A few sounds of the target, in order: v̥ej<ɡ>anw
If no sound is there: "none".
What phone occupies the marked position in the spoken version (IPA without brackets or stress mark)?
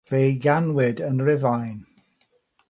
ɡ